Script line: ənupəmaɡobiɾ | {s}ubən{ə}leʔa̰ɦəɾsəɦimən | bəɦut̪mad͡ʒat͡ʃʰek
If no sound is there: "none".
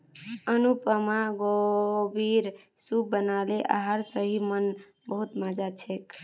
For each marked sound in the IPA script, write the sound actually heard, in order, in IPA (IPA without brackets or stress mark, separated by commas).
s, a